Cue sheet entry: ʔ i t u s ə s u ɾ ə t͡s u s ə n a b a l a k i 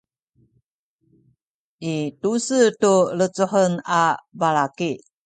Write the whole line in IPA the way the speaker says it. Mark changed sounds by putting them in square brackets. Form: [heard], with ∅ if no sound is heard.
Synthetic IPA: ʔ i t u s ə [t] u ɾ ə t͡s u [ħ] ə n a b a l a k i